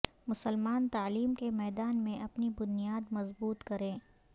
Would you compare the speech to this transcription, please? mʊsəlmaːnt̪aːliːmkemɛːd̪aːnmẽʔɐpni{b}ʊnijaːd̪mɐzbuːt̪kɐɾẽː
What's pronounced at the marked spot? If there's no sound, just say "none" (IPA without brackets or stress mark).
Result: b